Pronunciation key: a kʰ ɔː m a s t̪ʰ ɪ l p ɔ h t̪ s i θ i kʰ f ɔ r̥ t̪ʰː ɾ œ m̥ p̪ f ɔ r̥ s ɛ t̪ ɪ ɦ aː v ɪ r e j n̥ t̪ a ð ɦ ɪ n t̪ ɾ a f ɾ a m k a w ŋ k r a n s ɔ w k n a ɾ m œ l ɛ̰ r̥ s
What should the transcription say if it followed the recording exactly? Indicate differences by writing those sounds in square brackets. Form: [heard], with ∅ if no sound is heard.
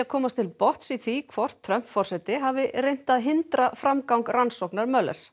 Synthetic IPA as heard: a kʰ ɔː m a s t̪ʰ ɪ l p ɔ h t̪ s i θ i kʰ [v] ɔ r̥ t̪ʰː ɾ œ m̥ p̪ f ɔ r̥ s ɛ t̪ ɪ ɦ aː v ɪ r e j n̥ t̪ a ð ɦ ɪ n t̪ ɾ a f ɾ a m k a w ŋ k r a n s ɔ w k n a ɾ m œ l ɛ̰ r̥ s